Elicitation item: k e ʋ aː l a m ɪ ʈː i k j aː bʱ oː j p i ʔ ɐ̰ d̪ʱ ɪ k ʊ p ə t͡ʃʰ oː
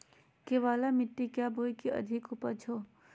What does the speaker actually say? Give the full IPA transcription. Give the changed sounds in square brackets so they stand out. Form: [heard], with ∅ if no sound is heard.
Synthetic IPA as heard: k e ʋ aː l a m ɪ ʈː i k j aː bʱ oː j [k] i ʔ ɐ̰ d̪ʱ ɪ k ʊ p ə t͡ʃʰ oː